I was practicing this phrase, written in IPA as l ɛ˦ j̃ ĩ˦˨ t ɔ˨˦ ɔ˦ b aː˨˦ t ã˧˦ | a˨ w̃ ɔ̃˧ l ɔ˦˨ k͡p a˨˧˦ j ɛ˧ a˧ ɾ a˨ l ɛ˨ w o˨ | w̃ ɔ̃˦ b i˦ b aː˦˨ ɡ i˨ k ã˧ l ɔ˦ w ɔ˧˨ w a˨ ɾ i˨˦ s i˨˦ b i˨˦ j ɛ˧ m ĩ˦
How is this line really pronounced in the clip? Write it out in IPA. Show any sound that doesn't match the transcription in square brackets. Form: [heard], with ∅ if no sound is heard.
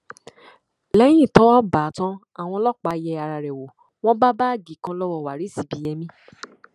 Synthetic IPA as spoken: l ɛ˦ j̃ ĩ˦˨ t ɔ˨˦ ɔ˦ b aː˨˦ t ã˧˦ | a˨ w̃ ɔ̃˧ l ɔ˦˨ k͡p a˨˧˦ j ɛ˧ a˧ ɾ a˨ [ɾ] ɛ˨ w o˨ | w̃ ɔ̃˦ b [a˦] b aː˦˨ ɡ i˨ k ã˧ l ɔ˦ w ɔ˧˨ w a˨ ɾ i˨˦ s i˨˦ b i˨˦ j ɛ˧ m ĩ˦

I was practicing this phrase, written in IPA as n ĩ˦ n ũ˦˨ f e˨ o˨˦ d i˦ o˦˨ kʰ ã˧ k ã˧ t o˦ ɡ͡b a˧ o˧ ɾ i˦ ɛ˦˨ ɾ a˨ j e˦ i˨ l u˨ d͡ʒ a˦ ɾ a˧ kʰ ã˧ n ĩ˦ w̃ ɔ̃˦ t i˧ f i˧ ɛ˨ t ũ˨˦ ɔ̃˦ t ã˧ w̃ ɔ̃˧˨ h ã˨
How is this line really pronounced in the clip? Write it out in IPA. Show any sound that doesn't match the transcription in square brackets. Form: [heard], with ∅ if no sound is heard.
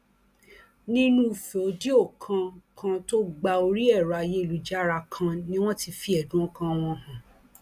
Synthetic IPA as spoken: n ĩ˦ n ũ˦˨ f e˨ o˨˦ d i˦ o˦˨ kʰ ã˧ k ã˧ t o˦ ɡ͡b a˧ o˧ ɾ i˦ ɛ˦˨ ɾ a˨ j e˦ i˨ l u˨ d͡ʒ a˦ ɾ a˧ kʰ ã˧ n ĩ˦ w̃ ɔ̃˦ t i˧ f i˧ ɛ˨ [d] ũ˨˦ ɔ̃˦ [k] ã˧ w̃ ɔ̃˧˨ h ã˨

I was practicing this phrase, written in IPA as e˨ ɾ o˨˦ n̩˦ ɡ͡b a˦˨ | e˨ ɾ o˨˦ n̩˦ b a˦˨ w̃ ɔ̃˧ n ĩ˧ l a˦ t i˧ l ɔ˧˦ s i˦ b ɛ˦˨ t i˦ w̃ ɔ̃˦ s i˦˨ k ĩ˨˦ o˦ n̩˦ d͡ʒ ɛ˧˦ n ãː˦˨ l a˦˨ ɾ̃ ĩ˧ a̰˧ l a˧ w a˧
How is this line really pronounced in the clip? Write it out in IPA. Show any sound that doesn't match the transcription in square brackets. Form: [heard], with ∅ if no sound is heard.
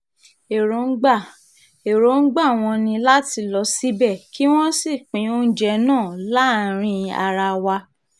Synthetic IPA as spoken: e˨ ɾ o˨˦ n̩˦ ɡ͡b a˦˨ | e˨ ɾ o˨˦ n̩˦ [ɡ͡b] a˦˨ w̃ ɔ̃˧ n ĩ˧ l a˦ t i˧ l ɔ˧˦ s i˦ b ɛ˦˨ [k] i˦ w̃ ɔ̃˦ s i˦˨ [k͡p] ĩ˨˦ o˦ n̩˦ d͡ʒ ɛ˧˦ n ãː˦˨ l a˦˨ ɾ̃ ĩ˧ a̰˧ [ɾ] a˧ w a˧

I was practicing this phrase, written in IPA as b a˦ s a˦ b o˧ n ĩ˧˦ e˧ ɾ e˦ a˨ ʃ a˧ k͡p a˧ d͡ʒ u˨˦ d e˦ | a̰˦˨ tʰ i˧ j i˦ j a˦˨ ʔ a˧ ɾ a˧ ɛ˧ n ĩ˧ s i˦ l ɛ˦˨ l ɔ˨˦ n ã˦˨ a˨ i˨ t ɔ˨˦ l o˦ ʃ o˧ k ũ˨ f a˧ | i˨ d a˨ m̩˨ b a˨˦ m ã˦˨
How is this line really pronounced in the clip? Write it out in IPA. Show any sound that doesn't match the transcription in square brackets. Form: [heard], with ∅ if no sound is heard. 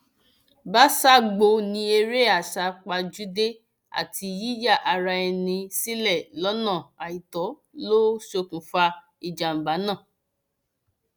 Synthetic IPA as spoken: b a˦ s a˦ [ɡ͡b] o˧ n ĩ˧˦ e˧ ɾ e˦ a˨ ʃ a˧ k͡p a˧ d͡ʒ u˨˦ d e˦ | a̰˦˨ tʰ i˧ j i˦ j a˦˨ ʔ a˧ ɾ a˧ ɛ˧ n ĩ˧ s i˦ l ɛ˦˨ l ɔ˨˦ n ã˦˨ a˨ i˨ t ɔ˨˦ l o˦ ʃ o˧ k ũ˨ f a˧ | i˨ [d͡ʒ] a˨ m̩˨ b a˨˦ [n] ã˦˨

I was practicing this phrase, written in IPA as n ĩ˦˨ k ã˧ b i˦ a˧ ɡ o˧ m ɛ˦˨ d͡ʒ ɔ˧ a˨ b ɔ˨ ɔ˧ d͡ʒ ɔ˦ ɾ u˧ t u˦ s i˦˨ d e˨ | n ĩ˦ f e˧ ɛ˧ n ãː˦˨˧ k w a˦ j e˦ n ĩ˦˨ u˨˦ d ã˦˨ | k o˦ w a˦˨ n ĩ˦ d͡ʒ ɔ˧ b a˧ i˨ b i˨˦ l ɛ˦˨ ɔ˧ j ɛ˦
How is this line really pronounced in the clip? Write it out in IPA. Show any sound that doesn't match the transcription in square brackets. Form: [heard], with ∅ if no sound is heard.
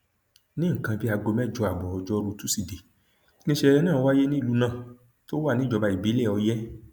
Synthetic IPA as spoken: n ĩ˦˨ k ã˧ b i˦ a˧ ɡ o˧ m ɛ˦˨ d͡ʒ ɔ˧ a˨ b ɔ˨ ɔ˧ d͡ʒ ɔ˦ ɾ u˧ t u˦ s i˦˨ d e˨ | n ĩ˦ [ʃ] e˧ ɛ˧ n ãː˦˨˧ [∅] w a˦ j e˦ n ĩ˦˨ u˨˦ [n] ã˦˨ | [t] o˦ w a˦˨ n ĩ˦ d͡ʒ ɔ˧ b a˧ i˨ b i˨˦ l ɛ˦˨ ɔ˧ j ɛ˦

